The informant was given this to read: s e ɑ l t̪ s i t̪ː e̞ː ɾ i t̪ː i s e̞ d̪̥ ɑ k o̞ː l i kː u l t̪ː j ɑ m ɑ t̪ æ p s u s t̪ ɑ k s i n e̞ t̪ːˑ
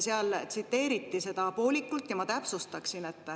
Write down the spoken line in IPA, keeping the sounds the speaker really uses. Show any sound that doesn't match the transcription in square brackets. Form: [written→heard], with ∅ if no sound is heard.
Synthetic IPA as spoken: s e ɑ l t̪ s i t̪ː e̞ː ɾ i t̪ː i s e̞ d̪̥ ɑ [k→p] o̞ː l i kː u l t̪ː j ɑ m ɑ t̪ æ p s u s t̪ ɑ k s i n e̞ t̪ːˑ